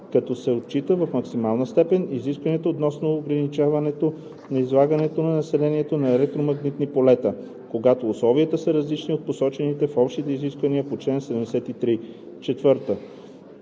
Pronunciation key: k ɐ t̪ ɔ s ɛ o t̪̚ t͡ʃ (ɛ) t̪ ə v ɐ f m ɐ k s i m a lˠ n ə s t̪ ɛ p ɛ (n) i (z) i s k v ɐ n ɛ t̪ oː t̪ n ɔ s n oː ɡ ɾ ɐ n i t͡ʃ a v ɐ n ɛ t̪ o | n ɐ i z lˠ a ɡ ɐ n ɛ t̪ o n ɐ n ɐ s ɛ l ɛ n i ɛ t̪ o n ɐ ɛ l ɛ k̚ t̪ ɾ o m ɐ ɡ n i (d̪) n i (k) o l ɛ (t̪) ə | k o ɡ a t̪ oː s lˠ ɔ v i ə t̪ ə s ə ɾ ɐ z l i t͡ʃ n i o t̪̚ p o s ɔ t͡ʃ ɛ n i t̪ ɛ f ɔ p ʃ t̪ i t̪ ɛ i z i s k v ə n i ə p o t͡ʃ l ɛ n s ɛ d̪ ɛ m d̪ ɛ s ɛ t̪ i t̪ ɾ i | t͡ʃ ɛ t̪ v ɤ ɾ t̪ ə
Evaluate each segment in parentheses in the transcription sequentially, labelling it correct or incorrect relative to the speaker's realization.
incorrect: i, correct, correct, incorrect: t̪, incorrect: p, correct

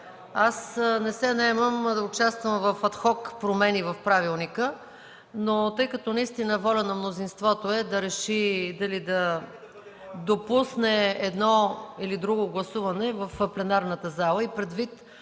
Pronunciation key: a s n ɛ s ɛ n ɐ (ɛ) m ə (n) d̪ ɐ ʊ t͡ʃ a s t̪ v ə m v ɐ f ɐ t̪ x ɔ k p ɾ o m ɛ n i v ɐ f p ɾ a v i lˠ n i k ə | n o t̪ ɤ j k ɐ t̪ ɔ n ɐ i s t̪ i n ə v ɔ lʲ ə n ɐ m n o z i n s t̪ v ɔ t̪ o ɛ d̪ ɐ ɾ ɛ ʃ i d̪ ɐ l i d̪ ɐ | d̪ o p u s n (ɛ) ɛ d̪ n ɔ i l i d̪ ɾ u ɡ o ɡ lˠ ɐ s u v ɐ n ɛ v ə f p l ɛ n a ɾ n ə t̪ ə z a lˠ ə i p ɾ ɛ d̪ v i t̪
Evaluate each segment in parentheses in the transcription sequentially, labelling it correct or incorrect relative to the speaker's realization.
correct, incorrect: m, correct

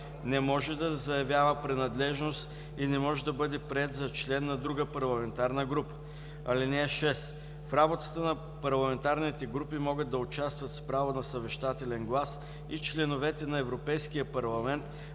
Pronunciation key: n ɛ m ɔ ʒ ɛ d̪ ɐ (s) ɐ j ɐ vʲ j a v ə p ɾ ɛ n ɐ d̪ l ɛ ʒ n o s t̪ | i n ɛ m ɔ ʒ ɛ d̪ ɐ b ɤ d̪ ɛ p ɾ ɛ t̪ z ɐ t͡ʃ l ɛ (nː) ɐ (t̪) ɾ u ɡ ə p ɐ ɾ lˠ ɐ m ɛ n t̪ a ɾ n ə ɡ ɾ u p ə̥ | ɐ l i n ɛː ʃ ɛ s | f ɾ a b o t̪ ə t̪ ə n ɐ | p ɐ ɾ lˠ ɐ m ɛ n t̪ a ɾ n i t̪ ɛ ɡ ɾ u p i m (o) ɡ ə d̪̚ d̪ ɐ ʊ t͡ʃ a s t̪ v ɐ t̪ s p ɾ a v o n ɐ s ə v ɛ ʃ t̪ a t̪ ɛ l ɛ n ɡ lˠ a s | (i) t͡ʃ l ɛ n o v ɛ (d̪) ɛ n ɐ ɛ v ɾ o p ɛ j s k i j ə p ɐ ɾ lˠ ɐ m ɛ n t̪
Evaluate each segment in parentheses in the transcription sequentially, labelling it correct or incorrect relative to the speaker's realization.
incorrect: z, correct, incorrect: d̪, incorrect: ɔ, correct, incorrect: t̪

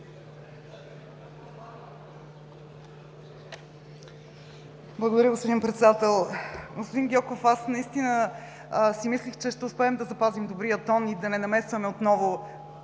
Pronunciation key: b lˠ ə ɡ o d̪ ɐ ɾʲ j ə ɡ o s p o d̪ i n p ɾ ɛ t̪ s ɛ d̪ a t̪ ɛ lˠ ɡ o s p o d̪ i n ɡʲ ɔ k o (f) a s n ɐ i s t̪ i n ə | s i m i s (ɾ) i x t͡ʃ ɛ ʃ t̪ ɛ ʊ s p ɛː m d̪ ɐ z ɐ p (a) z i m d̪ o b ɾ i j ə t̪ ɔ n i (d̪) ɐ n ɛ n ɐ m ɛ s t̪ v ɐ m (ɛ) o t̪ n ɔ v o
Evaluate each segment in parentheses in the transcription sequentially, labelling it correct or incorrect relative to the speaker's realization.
correct, incorrect: l, correct, correct, correct

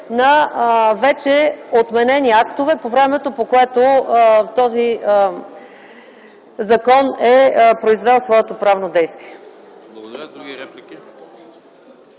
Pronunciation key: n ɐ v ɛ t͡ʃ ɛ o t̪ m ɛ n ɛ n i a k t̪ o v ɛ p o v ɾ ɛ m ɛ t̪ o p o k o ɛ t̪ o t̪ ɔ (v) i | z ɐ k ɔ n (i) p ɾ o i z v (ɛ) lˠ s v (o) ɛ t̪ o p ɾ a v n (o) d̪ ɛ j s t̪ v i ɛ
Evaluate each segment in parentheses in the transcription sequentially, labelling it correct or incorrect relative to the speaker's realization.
incorrect: z, incorrect: ɛ, correct, incorrect: ɔ, correct

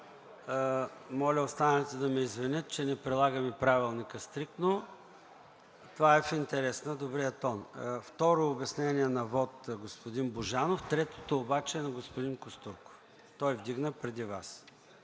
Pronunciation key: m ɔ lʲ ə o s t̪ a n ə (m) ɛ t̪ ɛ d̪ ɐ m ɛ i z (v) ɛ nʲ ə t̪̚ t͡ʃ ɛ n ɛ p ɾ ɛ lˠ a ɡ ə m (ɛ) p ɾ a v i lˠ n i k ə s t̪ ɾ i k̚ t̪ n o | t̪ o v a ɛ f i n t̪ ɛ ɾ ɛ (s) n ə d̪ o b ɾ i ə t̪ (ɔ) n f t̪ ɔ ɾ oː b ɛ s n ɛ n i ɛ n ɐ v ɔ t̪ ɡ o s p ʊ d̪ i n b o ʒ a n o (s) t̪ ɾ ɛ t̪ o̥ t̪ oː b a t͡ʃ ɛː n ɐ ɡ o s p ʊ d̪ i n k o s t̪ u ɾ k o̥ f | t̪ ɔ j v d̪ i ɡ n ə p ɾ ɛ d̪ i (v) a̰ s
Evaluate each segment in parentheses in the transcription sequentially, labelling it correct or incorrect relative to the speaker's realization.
incorrect: n, correct, incorrect: i, correct, correct, incorrect: f, correct

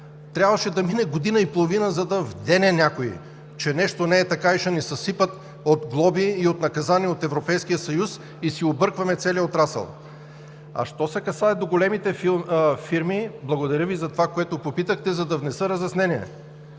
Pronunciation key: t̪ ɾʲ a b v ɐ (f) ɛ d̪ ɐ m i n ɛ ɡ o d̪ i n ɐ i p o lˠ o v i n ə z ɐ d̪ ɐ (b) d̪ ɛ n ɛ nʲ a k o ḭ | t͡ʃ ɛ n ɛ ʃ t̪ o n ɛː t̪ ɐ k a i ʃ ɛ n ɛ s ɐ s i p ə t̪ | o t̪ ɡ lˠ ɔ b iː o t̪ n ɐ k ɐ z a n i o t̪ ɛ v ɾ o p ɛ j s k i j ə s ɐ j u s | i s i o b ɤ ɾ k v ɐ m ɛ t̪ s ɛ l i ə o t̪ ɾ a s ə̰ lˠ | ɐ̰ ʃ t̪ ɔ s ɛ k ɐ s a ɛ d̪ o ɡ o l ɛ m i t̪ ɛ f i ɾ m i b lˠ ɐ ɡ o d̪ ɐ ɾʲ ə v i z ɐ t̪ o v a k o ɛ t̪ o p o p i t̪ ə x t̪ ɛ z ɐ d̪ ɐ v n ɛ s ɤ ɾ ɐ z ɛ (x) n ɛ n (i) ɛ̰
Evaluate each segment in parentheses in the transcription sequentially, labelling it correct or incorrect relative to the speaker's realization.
incorrect: ʃ, incorrect: v, incorrect: s, correct

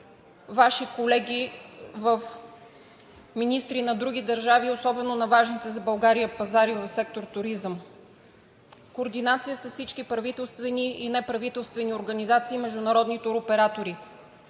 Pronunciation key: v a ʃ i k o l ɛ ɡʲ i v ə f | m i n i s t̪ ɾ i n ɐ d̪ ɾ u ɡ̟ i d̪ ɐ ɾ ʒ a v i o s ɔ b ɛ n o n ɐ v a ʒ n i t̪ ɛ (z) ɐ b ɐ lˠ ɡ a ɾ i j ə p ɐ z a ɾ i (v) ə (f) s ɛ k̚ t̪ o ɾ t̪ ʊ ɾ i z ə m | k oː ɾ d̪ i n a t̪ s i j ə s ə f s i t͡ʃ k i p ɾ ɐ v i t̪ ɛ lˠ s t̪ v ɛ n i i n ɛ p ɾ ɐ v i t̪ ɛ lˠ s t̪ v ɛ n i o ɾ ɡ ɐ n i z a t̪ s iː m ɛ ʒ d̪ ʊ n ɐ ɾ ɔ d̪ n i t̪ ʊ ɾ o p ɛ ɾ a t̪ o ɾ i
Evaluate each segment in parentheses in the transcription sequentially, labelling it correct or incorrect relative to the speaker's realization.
correct, correct, correct

